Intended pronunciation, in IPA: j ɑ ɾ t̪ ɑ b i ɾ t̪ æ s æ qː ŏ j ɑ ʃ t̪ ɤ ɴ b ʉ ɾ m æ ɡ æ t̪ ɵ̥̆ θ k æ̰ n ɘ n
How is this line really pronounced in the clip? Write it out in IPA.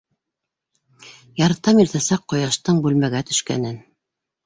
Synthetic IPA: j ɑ ɾ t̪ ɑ m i ɾ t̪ æ s æ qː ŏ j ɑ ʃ t̪ ɤ ɴ b ʉ l m æ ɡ æ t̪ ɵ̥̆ ʃ k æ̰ n ɘ n